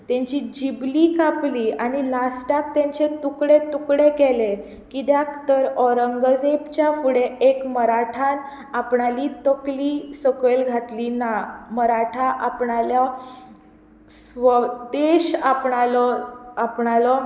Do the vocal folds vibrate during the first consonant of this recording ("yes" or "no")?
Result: no